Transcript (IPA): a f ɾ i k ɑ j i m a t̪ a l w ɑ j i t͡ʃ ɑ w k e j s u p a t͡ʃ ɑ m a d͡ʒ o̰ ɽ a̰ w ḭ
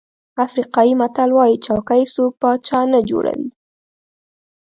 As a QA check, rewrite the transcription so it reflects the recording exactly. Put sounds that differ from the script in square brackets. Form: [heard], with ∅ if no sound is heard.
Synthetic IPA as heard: a f ɾ i [q] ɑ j i m a t̪ a l w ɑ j i t͡ʃ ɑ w k [a] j s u p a t͡ʃ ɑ [n] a d͡ʒ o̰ ɽ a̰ w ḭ